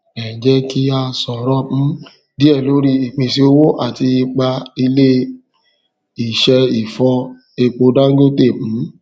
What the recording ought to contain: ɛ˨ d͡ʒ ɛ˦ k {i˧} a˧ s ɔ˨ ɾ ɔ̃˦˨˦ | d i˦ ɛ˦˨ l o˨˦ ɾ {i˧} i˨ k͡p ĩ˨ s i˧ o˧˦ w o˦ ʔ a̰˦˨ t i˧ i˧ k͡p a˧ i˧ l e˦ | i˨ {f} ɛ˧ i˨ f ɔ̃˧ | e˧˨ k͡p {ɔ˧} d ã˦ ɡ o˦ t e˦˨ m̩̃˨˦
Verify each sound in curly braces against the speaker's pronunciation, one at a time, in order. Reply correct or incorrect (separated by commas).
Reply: correct, correct, incorrect, incorrect